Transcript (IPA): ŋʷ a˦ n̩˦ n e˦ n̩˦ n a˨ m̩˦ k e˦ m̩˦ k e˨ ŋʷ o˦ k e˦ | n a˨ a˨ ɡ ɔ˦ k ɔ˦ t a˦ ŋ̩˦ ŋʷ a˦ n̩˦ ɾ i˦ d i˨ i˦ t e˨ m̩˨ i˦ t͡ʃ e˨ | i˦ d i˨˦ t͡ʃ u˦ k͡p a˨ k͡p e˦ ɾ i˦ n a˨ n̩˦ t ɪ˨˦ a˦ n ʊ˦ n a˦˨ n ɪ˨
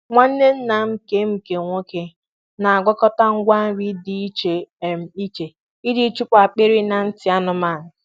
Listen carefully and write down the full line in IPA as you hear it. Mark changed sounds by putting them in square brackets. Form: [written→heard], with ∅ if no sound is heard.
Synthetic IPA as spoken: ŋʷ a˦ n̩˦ n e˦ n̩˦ n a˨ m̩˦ k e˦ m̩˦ k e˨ ŋʷ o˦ k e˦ | n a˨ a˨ ɡ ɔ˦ k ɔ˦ t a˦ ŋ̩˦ [ŋʷ→ɡʷ] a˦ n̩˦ ɾ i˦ d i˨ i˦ [t→t͡ʃ] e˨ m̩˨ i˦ t͡ʃ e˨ | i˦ d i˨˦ t͡ʃ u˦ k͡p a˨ k͡p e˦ ɾ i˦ n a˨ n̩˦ t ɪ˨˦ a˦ n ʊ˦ [n→m] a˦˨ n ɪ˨